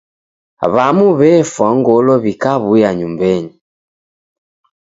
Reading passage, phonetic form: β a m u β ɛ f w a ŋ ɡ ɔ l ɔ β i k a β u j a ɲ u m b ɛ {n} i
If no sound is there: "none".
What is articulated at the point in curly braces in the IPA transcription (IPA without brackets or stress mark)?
ɲ